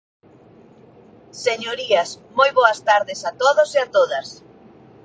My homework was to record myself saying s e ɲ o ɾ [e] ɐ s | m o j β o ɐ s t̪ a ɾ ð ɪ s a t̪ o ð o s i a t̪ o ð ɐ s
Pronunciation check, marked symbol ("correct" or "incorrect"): incorrect